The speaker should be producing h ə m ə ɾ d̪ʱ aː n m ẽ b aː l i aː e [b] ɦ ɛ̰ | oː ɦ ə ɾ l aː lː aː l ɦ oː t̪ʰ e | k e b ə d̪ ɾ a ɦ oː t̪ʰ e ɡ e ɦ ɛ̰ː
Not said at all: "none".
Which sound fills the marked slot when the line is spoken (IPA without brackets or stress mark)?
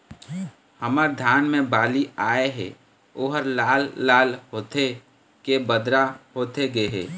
none